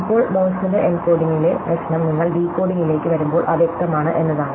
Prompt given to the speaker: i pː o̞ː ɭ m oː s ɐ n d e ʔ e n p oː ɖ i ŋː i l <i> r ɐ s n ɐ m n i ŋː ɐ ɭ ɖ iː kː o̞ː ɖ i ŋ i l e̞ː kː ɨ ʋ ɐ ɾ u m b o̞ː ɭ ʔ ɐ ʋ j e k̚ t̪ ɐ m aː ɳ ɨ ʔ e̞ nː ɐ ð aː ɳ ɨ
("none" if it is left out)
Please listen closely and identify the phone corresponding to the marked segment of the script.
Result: e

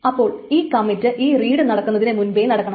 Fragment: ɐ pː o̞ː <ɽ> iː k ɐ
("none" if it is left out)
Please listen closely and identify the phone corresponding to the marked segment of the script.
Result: ɭ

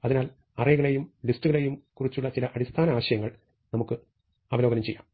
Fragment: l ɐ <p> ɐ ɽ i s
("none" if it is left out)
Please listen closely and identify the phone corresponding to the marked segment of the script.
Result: ʔ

